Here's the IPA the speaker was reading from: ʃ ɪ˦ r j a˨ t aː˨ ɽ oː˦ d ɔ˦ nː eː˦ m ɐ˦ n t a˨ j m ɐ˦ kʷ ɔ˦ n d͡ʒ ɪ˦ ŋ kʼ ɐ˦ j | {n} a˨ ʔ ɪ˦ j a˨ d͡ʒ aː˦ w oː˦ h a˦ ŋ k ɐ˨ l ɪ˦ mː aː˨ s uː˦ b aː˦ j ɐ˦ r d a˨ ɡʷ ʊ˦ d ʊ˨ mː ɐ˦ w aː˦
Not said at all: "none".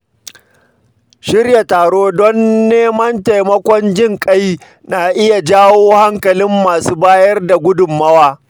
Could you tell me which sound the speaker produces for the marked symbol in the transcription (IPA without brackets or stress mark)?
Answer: n